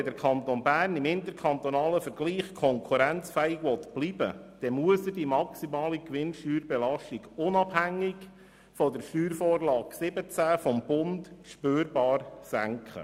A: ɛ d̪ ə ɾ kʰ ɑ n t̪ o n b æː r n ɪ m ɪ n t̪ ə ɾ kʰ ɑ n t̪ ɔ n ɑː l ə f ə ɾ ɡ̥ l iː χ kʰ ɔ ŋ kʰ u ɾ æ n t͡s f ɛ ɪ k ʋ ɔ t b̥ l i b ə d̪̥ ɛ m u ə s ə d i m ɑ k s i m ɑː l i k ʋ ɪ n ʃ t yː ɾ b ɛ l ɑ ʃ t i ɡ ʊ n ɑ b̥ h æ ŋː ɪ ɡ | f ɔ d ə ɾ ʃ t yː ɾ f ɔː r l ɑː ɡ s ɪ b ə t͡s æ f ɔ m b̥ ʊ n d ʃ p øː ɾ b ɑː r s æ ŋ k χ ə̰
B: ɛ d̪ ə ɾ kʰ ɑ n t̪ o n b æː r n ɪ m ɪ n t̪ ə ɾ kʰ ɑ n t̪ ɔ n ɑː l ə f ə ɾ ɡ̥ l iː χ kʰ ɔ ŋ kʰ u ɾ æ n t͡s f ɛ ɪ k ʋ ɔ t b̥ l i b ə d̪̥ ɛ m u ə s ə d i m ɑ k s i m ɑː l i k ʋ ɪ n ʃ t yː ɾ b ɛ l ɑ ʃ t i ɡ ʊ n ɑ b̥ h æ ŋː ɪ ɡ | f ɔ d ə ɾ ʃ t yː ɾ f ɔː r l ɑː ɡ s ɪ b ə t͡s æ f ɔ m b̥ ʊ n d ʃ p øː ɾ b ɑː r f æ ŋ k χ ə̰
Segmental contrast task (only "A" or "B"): A